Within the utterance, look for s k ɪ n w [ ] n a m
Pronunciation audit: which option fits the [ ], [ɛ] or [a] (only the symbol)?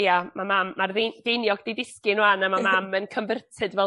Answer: a